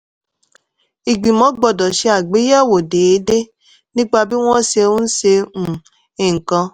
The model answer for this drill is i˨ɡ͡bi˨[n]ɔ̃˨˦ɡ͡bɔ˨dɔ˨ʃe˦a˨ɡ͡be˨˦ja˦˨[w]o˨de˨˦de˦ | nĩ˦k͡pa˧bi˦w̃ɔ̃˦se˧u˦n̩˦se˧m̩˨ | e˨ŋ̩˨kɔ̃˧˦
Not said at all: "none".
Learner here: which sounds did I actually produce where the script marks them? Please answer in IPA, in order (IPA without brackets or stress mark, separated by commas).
m, w